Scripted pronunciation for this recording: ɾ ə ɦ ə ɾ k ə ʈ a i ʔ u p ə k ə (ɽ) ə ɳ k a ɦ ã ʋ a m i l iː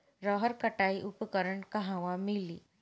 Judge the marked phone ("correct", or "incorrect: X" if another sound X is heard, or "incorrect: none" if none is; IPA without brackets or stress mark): incorrect: ɾ